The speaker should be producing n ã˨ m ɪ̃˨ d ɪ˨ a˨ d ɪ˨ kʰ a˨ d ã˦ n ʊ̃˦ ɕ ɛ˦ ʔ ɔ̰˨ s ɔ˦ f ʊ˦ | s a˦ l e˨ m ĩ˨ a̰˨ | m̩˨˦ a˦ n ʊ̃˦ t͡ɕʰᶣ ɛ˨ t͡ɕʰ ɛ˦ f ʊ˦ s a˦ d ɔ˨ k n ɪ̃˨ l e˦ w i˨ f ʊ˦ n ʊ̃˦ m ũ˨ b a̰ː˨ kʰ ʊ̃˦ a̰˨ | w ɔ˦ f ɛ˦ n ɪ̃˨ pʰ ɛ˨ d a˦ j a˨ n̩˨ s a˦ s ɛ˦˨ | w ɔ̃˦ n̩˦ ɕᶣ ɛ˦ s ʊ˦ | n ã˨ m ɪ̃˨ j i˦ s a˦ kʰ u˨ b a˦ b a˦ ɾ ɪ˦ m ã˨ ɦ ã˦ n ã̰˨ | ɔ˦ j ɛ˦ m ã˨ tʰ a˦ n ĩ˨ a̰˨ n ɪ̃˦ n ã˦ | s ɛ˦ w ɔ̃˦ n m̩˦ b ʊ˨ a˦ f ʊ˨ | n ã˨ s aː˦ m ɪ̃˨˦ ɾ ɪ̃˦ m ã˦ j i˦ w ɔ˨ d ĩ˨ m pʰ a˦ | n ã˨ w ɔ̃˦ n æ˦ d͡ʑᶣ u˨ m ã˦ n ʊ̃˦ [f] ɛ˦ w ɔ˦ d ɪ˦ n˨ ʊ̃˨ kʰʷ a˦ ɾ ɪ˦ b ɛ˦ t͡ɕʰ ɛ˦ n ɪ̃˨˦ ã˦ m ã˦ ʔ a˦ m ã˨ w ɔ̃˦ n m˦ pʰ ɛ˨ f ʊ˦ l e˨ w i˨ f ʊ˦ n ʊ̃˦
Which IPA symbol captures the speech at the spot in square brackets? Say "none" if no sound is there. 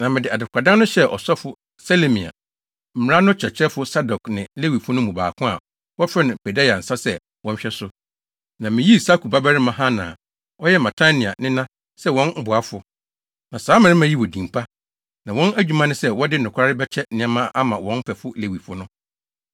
s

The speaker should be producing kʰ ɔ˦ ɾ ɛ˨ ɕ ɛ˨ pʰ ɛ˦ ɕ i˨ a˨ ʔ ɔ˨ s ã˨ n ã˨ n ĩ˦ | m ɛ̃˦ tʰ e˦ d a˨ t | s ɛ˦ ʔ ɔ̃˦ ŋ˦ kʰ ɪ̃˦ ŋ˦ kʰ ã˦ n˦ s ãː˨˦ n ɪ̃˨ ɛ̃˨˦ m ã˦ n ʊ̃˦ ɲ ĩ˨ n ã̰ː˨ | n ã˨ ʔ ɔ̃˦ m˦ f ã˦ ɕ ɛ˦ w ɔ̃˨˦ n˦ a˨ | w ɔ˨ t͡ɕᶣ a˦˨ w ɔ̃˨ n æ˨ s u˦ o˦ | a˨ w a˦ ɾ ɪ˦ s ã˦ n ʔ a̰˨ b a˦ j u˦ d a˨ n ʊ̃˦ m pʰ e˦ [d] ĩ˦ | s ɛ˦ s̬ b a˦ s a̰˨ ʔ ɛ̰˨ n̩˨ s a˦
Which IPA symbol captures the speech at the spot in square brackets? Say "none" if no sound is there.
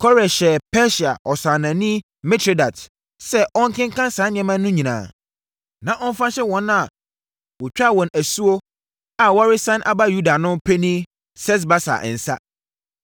n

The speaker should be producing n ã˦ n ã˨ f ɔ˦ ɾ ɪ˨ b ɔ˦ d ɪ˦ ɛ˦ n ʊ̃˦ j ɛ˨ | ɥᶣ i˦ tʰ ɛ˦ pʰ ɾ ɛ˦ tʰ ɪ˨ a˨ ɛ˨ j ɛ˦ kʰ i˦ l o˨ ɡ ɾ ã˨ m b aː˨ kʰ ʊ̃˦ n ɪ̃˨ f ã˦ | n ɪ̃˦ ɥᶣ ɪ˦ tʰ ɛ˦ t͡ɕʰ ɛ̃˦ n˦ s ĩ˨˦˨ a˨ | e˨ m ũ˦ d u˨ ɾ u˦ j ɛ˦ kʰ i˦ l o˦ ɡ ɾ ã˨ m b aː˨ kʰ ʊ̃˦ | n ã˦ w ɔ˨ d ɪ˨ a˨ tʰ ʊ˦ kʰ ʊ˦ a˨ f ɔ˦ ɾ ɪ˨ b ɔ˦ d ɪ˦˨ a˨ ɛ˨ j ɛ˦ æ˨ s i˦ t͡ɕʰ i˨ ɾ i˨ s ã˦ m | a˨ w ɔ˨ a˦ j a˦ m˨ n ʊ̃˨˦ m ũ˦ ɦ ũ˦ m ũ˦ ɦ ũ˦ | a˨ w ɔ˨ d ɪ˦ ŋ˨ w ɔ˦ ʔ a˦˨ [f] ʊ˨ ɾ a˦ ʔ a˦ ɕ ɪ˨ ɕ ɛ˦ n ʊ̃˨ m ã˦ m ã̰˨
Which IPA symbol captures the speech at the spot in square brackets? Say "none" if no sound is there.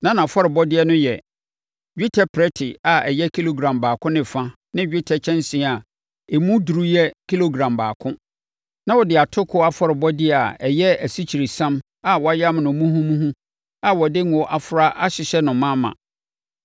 f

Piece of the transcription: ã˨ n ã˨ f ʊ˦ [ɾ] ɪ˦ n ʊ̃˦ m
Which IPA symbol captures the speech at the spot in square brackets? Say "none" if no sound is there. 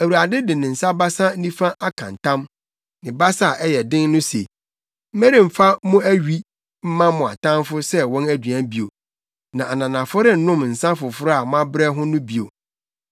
ɾ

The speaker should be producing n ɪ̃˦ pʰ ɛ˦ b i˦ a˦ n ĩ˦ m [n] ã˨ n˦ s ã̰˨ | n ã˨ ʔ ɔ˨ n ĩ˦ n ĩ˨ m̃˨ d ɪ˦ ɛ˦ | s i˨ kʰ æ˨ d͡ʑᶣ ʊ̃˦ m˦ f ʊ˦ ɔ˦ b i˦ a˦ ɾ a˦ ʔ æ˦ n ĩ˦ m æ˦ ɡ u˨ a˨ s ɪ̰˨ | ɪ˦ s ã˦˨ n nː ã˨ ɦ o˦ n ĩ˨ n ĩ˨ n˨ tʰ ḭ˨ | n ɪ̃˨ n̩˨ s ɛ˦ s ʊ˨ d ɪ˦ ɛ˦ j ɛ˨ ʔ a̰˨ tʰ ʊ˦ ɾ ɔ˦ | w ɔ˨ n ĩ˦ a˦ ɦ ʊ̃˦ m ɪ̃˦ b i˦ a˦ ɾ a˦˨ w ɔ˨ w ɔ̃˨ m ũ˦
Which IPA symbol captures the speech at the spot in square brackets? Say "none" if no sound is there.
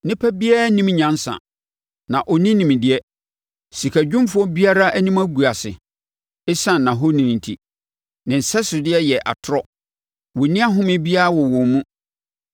ɲ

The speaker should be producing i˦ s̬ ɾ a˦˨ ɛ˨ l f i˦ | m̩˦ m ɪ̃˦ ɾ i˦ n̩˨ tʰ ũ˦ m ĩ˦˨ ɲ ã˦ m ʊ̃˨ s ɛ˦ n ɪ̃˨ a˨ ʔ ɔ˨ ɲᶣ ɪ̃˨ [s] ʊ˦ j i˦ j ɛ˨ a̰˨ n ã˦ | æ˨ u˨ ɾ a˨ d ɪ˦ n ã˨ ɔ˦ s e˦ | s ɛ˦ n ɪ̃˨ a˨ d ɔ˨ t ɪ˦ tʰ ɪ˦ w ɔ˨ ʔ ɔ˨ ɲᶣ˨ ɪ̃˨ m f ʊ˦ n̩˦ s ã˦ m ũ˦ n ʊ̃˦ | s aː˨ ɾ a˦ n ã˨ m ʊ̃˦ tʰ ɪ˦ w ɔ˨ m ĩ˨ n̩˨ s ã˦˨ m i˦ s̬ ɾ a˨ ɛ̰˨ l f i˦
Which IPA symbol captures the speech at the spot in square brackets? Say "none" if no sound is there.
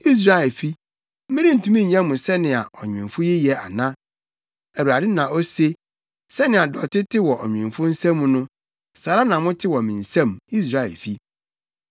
f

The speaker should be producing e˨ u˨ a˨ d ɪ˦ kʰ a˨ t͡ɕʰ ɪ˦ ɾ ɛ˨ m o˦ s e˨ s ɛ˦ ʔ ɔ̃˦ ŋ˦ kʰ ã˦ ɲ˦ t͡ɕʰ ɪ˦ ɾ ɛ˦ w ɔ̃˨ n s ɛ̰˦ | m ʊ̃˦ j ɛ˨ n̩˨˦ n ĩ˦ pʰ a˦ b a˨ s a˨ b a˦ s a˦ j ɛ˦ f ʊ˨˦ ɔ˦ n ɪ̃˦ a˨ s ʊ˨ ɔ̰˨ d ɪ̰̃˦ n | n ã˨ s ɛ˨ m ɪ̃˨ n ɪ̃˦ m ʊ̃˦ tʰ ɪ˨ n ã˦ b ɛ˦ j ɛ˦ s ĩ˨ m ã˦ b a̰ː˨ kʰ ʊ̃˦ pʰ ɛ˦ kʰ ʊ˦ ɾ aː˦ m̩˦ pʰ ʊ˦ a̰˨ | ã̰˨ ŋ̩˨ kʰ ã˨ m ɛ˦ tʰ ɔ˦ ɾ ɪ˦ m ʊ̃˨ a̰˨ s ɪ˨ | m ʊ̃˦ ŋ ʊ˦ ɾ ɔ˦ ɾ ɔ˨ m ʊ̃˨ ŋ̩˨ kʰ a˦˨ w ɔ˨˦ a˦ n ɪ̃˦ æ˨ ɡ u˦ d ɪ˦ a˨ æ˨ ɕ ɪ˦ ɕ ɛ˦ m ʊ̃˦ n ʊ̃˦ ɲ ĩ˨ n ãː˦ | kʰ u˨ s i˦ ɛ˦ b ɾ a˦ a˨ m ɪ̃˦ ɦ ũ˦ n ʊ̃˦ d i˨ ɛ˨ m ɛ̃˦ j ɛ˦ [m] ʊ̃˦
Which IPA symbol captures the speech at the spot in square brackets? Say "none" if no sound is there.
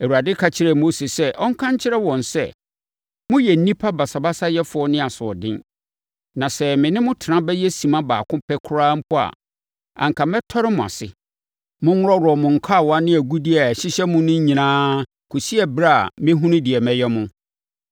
m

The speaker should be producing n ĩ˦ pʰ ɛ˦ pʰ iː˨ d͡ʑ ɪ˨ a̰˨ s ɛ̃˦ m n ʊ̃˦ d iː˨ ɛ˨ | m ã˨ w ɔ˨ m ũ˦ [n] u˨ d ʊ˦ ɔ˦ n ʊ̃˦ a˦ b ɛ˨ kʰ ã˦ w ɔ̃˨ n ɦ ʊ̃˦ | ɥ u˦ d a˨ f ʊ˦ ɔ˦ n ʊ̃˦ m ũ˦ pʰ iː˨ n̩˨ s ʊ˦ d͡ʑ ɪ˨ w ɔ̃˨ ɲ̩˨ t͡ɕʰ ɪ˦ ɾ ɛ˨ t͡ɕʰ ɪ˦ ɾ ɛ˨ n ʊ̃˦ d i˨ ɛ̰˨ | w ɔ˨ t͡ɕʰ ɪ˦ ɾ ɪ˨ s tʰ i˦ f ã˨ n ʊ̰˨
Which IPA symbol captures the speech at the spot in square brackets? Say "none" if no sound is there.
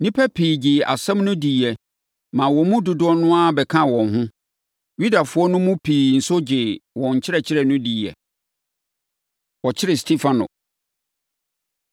d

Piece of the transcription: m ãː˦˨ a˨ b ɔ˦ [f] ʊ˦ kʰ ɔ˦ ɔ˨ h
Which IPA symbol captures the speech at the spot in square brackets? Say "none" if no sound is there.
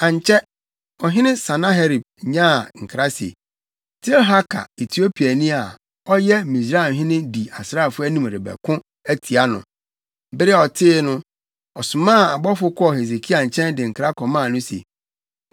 f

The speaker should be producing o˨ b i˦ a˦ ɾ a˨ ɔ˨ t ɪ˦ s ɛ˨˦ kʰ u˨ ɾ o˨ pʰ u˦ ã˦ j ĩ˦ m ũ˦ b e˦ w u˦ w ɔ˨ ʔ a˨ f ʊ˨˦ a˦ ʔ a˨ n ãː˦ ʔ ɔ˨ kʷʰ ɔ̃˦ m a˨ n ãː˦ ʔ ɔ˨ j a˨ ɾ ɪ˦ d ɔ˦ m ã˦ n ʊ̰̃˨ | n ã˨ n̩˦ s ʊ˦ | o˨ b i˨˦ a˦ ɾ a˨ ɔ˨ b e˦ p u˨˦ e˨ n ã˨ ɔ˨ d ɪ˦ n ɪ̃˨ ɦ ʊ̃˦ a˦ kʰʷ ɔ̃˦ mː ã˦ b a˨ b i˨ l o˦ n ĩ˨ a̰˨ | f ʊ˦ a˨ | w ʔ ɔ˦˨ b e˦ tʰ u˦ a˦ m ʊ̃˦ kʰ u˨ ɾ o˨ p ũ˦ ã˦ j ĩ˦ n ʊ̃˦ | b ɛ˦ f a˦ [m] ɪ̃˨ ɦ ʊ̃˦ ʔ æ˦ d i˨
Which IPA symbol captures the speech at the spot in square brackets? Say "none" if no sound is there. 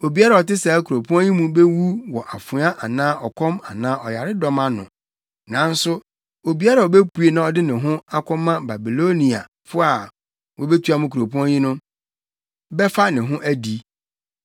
n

